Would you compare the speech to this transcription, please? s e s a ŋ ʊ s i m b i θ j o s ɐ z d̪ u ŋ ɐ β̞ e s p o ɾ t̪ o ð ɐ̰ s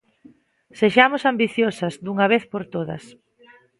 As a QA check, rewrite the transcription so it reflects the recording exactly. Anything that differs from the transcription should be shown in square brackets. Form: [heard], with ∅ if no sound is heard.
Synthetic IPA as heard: s e [ʃ] a [m] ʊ s [a] m b i θ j o s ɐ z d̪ u ŋ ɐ β̞ e [θ] p o ɾ t̪ o ð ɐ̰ s